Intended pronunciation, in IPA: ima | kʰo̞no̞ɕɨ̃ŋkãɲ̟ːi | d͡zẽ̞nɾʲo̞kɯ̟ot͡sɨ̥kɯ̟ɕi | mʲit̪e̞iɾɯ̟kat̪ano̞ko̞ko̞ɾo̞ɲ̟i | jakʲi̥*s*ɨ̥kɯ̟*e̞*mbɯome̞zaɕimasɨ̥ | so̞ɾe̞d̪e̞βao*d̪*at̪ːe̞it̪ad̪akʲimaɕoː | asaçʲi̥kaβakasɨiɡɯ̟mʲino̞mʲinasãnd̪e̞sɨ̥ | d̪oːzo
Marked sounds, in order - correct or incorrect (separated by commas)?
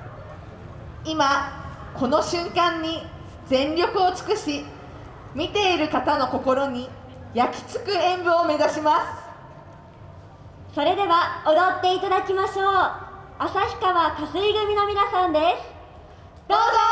incorrect, incorrect, correct